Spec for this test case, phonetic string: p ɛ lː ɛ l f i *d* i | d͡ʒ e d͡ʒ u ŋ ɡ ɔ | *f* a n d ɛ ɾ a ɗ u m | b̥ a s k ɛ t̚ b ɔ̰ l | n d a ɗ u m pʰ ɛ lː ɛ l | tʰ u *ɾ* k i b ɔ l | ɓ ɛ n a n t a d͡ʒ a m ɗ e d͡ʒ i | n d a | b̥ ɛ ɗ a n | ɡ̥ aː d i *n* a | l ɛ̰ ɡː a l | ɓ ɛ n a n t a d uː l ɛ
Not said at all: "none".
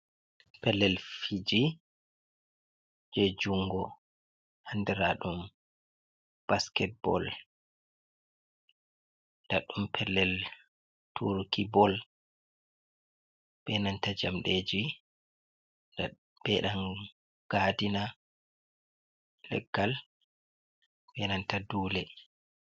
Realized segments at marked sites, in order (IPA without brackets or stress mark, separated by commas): d͡ʒ, h, ɾ, n